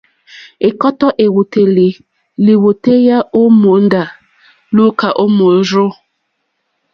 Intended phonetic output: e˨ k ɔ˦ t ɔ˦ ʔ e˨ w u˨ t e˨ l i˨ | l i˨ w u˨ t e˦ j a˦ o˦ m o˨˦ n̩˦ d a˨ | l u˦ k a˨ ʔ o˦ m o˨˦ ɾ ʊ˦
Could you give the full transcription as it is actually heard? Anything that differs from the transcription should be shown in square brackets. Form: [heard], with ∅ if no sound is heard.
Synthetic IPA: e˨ k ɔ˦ t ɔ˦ ʔ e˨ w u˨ t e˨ l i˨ | l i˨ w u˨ t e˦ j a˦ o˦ m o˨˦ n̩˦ d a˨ | l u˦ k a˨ ʔ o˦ m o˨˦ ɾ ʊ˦